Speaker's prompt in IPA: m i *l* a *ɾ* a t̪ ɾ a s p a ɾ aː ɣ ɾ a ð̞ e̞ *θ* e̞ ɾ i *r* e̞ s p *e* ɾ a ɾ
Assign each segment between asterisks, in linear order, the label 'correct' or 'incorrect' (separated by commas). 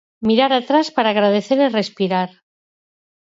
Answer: incorrect, correct, correct, correct, incorrect